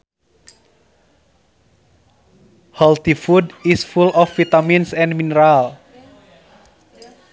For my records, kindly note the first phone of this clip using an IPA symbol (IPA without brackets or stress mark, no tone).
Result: h